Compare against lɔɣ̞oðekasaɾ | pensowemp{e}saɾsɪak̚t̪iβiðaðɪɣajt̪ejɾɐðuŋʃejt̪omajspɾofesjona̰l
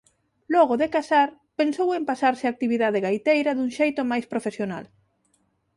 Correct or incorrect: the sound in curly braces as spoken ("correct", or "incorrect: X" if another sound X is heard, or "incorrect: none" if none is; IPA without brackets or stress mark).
incorrect: a